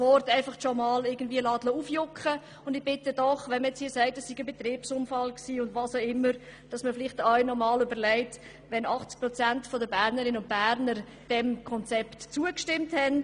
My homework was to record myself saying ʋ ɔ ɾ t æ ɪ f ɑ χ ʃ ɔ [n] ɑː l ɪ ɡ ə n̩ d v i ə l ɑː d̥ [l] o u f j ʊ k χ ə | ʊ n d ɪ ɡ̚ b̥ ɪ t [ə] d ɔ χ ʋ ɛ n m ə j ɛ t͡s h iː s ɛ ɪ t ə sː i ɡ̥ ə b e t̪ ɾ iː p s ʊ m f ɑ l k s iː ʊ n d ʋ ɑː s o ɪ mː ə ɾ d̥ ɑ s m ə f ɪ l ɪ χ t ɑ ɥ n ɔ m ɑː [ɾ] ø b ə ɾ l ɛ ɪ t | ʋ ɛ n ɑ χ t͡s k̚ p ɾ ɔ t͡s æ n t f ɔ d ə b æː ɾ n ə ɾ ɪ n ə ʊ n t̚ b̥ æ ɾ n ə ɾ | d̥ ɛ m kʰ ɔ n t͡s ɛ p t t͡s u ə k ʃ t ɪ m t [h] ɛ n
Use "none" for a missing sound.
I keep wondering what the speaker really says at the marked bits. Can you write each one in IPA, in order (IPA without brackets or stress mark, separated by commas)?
m, l, ə, l, h